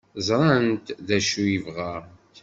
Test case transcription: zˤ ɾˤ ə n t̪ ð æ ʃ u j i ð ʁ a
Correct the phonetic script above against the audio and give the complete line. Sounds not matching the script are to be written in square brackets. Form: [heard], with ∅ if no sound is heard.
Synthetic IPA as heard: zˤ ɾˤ [ɑ] n t̪ ð æ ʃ u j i [v] ʁ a